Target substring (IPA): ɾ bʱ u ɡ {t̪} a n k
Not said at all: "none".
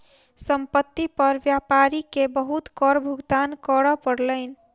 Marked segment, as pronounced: d̪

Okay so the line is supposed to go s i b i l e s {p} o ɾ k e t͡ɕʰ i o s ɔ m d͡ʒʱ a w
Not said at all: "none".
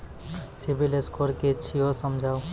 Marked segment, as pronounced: k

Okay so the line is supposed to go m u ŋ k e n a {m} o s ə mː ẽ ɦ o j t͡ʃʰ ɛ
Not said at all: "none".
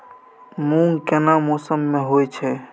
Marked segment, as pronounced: m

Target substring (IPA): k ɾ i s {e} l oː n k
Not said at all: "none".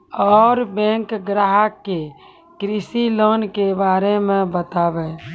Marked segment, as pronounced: i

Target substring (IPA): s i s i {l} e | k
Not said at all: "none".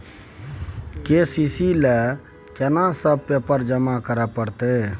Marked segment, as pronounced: l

